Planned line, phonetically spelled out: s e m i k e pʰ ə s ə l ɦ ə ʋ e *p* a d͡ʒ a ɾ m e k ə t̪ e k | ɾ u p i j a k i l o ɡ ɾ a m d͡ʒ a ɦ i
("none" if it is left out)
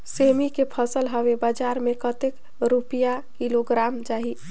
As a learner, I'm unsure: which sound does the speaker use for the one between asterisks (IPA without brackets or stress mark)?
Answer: b